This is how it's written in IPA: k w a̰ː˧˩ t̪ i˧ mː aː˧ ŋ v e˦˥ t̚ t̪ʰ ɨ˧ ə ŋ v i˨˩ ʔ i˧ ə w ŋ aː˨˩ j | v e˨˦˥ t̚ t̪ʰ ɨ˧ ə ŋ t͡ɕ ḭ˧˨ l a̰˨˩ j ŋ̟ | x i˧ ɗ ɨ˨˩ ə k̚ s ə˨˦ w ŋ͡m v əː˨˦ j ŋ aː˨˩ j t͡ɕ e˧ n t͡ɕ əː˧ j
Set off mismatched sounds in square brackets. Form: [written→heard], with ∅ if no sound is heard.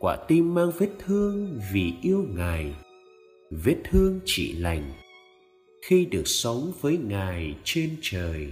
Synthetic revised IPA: k w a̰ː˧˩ t̪ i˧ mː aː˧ ŋ v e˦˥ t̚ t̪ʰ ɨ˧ ə ŋ v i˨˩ ʔ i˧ ə w ŋ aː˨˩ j | v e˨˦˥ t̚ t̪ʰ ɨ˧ ə ŋ t͡ɕ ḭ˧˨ l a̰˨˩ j ŋ̟ | x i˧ ɗ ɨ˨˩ ə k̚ s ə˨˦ w ŋ͡m v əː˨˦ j ŋ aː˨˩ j t͡ɕ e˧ n t͡ɕ [əː˧→əː˨˩] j